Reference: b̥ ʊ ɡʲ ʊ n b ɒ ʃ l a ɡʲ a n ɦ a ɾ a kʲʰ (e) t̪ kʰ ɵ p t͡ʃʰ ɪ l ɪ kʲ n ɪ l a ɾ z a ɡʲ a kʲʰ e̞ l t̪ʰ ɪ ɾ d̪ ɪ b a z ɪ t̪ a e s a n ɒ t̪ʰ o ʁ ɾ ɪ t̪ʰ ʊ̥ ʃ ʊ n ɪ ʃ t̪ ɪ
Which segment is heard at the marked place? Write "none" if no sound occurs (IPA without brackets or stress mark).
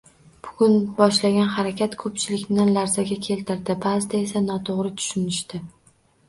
a